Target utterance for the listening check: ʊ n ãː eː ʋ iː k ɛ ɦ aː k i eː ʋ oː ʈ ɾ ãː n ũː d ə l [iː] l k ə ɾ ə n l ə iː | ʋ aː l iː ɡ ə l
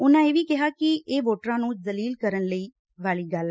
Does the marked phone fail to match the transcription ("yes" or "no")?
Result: no